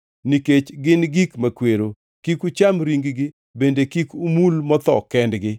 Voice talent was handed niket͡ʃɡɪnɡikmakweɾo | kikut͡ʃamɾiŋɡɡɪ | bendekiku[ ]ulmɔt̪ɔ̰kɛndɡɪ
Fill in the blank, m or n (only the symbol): m